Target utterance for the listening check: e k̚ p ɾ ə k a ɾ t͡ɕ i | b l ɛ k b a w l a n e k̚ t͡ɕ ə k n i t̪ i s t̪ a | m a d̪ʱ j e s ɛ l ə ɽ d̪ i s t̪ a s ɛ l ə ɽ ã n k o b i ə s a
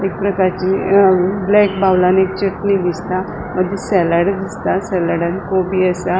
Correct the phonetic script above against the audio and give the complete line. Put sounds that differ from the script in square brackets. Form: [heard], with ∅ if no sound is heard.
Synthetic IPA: e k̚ p ɾ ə k a ɾ t͡ɕ i | b l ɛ k b a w l a n e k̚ t͡ɕ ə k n i [d̪] i s t̪ a | m [ə] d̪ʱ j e s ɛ l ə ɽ d̪ i s t̪ a s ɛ l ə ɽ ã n k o b i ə s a